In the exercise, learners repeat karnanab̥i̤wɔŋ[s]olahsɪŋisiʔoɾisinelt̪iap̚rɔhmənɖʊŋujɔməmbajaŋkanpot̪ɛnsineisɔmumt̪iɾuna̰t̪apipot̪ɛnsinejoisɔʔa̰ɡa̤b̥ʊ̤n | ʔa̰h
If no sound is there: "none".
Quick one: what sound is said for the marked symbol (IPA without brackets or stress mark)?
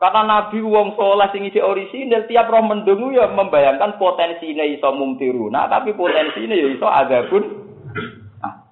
s